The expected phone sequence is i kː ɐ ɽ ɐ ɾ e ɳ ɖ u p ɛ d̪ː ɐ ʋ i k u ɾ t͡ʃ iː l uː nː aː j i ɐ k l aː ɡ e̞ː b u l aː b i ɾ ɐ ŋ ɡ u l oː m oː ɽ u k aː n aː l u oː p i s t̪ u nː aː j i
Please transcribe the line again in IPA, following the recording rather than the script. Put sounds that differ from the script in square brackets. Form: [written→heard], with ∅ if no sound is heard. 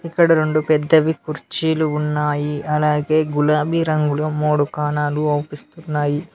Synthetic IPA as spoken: i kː ɐ ɽ ɐ ɾ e ɳ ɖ u p ɛ d̪ː ɐ ʋ i k u ɾ t͡ʃ iː l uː nː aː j i ɐ [k→∅] l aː ɡ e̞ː [b→ɡ] u l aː b i ɾ ɐ ŋ ɡ u l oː m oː ɽ u k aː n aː l u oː p i s t̪ u nː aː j i